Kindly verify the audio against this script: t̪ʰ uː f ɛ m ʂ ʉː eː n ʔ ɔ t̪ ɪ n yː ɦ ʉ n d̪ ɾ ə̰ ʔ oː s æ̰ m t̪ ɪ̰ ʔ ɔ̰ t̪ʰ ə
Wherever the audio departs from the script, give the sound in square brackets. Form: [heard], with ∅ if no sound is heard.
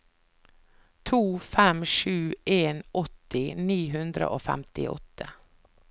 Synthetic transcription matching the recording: t̪ʰ uː f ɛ m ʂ ʉː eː n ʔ ɔ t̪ ɪ n [iː] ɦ ʉ n d̪ ɾ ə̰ ʔ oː [f] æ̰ m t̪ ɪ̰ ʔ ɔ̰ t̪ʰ ə